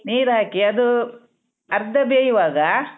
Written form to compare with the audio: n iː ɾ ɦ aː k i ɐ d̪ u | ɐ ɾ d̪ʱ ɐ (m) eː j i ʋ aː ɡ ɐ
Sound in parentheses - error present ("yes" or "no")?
yes